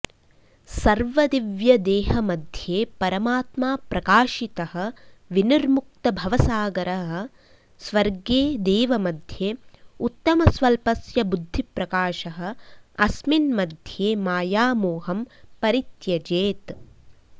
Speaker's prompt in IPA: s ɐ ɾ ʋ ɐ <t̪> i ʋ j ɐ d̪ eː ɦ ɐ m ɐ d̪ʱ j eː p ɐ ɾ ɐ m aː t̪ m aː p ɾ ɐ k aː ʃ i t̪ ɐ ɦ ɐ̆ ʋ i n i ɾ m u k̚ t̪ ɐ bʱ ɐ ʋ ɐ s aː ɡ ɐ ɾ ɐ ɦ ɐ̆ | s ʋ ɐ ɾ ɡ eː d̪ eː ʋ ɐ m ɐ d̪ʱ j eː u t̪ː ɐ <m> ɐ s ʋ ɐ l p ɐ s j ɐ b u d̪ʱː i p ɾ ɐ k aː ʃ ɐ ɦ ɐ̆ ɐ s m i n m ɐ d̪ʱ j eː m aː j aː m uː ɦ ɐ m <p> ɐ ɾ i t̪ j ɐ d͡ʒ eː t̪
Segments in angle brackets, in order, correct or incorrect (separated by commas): incorrect, correct, correct